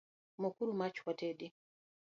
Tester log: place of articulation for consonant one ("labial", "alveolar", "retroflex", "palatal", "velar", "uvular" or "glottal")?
labial